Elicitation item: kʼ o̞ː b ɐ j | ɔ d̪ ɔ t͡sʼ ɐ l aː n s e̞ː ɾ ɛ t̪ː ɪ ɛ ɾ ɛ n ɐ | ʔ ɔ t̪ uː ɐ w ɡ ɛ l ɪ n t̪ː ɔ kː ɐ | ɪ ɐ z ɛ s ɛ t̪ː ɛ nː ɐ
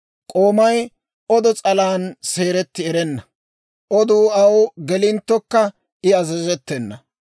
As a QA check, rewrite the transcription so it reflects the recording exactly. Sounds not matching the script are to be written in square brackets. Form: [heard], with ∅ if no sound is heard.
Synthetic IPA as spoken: kʼ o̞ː [m] ɐ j | ɔ d̪ ɔ t͡sʼ ɐ l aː n s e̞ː ɾ ɛ t̪ː ɪ ɛ ɾ ɛ [nː] ɐ | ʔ ɔ [d̪] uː ɐ w ɡ ɛ l ɪ n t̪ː ɔ kː ɐ | ɪ ɐ z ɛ [z] ɛ t̪ː ɛ nː ɐ